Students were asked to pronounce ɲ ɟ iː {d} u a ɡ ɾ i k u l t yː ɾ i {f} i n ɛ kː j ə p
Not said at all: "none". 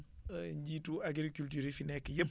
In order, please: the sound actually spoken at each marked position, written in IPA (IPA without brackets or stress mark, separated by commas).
t, f